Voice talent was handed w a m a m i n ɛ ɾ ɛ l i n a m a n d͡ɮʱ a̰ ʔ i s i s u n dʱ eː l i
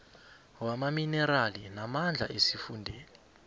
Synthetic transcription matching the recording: w a m a m i n ɛ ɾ a l i n a m a n d͡ɮʱ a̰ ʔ e s i f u n dʱ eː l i